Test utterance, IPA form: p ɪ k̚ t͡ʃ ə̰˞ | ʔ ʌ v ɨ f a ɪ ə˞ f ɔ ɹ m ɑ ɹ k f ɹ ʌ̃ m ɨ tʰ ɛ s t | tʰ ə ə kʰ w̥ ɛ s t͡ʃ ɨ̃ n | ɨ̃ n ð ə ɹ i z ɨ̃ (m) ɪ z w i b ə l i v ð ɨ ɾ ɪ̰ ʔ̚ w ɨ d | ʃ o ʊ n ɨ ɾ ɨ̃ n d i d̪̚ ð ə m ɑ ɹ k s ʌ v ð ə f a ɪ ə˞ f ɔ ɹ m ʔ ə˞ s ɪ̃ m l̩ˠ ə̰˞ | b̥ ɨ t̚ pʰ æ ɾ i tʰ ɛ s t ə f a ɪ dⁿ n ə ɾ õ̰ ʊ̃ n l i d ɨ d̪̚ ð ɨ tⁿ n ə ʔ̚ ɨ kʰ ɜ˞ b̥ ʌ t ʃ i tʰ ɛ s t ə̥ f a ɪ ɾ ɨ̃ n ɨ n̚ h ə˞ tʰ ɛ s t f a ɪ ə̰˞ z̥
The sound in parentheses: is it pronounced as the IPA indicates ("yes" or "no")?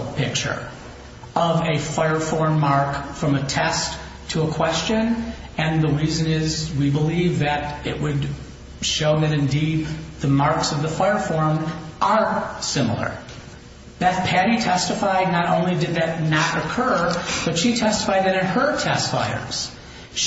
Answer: no